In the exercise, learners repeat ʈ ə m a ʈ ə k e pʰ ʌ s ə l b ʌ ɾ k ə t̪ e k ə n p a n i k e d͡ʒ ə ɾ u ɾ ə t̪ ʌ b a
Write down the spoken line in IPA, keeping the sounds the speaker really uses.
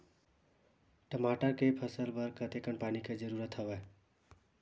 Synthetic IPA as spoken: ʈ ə m a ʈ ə k e pʰ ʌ s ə l b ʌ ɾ k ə t̪ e k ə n p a n i k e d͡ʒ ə ɾ u ɾ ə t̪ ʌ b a